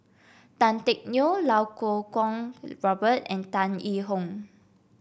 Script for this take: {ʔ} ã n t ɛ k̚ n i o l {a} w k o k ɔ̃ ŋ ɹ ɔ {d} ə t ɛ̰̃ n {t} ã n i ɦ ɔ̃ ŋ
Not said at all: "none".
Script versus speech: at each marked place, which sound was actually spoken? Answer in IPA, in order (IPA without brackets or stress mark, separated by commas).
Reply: t, a, b, t